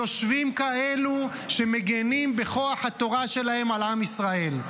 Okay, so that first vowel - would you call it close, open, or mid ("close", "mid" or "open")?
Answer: mid